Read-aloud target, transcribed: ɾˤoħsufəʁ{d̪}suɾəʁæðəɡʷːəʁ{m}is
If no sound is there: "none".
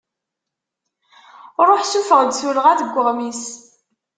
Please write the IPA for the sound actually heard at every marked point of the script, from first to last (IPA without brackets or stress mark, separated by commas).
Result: d̪, m